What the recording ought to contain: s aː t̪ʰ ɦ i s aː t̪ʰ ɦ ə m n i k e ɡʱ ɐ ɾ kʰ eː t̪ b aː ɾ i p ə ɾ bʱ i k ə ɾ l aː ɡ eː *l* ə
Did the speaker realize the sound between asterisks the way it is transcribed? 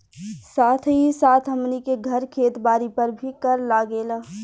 yes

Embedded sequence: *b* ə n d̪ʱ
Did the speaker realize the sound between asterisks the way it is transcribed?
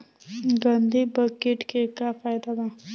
no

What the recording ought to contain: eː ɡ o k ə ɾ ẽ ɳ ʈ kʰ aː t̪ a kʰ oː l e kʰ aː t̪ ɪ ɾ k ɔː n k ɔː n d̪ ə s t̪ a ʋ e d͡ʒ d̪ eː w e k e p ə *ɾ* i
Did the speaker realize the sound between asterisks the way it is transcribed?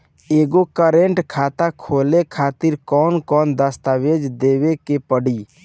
no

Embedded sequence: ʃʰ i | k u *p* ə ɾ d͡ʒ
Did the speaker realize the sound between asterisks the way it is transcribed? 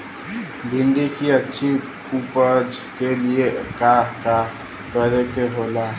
yes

